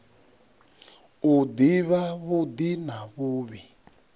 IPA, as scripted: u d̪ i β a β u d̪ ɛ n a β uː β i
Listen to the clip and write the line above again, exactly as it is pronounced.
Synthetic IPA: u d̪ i β a β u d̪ i n a β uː β i

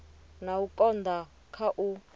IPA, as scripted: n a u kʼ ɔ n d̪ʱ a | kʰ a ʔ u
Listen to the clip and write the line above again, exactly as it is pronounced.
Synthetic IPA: n a u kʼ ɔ n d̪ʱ a | kʰ a ʔ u

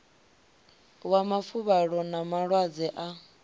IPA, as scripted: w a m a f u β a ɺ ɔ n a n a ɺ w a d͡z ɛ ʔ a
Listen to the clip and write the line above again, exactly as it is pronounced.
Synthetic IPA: w a m a f u β a ɺ ɔ n a m a ɺ w a d͡z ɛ ʔ a

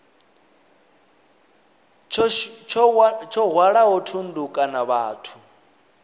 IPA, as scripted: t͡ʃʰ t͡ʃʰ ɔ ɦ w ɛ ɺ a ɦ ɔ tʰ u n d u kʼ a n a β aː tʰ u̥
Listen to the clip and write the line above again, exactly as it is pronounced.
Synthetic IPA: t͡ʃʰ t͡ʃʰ ɔ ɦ w a ɺ a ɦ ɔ tʰ u n d u kʼ a n a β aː tʰ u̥

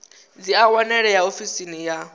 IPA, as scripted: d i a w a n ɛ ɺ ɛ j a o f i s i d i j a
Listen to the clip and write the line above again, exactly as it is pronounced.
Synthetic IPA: d͡z i a w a n ɛ ɺ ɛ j a o f i s i n i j a

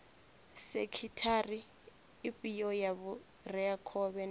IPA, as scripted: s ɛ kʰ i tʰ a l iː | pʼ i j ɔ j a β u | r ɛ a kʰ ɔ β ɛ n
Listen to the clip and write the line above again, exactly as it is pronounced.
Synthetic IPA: s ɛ kʰ i tʰ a r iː | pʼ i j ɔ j a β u | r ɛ a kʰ ɔ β ɛ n

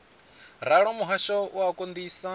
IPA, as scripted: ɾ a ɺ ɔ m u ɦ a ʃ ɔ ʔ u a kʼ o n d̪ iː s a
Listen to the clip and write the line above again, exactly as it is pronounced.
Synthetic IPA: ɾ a ɺ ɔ m u ɦ a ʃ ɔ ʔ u a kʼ o n d̪ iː s a

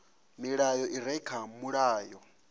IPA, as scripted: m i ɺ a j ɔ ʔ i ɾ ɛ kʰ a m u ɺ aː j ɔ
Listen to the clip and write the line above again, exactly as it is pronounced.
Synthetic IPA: m i ɺ a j ɔ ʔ i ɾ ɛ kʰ a m u ɺ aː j ɔ

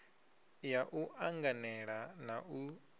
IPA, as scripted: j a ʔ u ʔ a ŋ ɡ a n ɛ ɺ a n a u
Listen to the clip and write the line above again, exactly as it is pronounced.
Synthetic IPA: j a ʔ u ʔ a ŋ ɡ a n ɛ ɺ a n a u

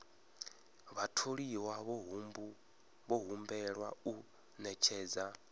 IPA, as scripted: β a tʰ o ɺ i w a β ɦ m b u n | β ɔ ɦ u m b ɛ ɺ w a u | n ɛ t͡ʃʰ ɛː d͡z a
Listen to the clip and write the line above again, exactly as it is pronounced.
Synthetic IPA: β a tʰ o ɺ i w a β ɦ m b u | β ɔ ɦ u m b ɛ ɺ w a u | n ɛ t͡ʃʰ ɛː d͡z a

